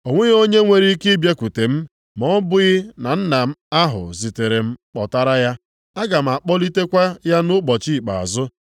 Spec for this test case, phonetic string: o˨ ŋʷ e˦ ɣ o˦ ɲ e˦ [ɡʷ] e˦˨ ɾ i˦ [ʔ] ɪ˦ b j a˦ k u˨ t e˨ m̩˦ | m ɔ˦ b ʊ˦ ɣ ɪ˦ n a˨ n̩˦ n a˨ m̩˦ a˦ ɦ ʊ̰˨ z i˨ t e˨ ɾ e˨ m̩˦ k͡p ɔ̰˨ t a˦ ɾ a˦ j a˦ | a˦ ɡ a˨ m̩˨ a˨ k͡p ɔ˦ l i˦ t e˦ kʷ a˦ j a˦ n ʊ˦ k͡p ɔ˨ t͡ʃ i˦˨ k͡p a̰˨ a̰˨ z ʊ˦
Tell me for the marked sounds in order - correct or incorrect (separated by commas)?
incorrect, incorrect